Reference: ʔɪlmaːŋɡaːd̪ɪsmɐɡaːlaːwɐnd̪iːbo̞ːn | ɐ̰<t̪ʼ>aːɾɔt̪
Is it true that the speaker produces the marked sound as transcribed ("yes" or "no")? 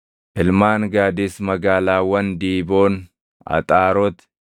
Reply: yes